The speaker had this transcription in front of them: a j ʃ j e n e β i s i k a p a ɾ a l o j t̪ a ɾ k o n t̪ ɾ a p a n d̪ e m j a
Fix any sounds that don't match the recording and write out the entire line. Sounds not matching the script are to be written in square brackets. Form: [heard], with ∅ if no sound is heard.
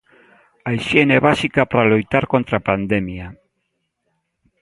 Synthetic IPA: a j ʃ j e n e β [a] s i k a p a ɾ a l o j t̪ a ɾ k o n t̪ ɾ a p a n d̪ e m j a

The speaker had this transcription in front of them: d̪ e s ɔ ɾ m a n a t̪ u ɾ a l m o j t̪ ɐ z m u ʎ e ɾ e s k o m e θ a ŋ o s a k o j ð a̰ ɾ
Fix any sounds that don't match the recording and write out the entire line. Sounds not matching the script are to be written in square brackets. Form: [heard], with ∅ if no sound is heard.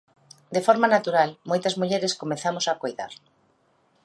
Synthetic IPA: d̪ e [f] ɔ ɾ m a n a t̪ u ɾ a l m o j t̪ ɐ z m u ʎ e ɾ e s k o m e θ a [m] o s a k o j ð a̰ ɾ

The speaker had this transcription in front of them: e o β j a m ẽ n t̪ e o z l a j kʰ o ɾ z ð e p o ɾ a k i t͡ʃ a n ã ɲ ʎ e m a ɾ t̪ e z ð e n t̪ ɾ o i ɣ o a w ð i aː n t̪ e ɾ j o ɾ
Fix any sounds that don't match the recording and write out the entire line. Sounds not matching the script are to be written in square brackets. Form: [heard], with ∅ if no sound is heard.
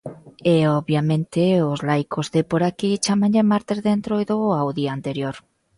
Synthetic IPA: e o β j a m ẽ n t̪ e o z l a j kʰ o [∅] z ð e p o ɾ a k i t͡ʃ a [m] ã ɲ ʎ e m a ɾ t̪ e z ð e n t̪ ɾ o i [ð] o a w ð i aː n t̪ e ɾ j o ɾ

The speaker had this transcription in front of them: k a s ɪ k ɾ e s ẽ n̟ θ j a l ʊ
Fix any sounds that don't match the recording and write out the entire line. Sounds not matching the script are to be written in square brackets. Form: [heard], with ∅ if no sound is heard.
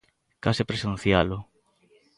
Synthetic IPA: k a s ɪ [p] ɾ e s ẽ n̟ θ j a l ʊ

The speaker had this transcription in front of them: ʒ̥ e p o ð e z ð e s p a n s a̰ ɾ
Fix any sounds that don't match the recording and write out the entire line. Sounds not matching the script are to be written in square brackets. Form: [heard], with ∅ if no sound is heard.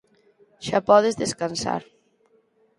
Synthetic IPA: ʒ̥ [a] p [ɔ] ð e z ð e s [k] a n s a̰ ɾ

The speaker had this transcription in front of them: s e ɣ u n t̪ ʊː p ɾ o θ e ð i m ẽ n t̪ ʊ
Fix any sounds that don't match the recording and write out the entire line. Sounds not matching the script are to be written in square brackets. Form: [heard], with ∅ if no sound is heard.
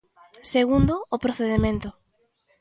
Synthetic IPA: s e ɣ u n [d̪] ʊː p ɾ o θ e ð [e] m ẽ n t̪ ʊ

